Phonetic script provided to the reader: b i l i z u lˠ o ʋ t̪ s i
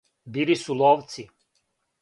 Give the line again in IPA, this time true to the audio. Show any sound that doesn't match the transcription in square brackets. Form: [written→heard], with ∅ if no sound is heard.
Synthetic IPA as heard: b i l i [z→s] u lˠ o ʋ t̪ s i